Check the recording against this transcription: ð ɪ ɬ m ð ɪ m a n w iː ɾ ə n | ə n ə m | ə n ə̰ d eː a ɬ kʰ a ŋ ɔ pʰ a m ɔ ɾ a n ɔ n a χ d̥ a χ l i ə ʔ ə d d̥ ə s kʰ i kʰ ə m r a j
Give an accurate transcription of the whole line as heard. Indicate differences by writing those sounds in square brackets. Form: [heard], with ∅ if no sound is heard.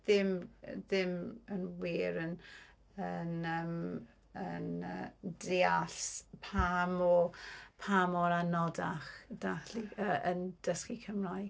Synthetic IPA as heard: ð ɪ [∅] m ð ɪ m [ə] n w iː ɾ ə n | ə n ə m | ə n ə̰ d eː a ɬ [pʰ] a [m] ɔ pʰ a m ɔ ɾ a n ɔ [d] a χ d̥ a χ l i ə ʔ ə [n] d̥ ə s [k] i kʰ ə m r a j